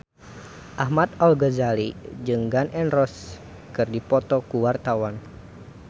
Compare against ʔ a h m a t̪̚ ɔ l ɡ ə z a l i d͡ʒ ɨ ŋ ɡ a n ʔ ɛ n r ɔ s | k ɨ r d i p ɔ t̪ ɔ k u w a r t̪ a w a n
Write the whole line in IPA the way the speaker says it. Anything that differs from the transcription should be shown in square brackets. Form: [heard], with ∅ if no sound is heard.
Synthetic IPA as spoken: ʔ a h m a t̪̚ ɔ l ɡ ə z a l i d͡ʒ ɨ ŋ ɡ a n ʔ ɛ n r ɔ s | k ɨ r d i p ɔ t̪ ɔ k u w a r t̪ a w a n

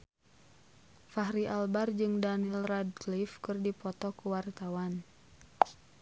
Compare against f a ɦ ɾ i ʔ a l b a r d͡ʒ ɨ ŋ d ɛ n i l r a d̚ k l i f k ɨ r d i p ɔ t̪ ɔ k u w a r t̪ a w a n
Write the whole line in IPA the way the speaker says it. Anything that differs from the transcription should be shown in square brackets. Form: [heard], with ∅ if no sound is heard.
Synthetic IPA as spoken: f a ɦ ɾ i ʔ a l b a r d͡ʒ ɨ ŋ d [a] n i l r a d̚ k l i f k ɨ r d i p ɔ t̪ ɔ k u w a r t̪ a w a n

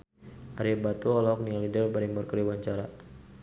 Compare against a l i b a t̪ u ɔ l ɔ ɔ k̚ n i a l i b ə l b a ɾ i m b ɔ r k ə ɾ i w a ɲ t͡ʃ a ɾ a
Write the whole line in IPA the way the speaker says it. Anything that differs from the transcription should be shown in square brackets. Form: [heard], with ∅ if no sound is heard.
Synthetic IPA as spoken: a [ɾ] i b a t̪ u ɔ l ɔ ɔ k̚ n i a l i [d] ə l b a ɾ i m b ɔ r k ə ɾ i w a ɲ t͡ʃ a ɾ a

